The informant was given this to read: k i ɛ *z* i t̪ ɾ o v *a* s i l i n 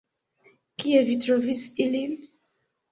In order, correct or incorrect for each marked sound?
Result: incorrect, incorrect

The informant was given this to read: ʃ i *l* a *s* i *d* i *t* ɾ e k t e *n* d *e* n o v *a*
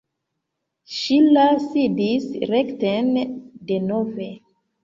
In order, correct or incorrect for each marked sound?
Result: correct, correct, correct, incorrect, correct, correct, incorrect

